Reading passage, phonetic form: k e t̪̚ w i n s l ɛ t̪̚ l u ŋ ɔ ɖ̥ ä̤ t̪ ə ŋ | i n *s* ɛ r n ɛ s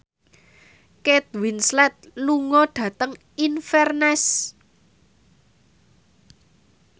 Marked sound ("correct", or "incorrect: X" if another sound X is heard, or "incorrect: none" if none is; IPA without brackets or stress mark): incorrect: f